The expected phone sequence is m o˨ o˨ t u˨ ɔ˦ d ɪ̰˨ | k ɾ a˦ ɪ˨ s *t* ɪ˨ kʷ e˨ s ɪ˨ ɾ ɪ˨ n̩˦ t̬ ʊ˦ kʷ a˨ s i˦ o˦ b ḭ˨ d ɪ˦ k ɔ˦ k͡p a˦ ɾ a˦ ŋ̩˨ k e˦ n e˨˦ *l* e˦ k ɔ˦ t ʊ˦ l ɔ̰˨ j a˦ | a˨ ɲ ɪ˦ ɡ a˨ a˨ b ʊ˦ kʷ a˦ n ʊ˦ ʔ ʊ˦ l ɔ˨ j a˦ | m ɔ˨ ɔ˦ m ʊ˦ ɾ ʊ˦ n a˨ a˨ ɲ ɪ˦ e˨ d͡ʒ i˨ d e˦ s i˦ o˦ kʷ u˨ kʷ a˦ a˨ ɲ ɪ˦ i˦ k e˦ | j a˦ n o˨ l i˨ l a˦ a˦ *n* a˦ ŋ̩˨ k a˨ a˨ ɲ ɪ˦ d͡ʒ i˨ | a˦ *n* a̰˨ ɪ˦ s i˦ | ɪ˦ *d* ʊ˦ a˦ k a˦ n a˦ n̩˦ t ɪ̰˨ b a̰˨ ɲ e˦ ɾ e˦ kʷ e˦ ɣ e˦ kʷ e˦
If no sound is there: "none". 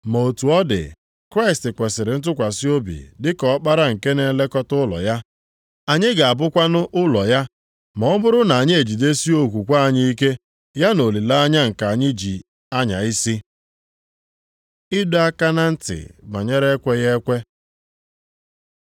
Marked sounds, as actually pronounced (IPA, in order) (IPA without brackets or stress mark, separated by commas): t, l, ɲ, ɲ, d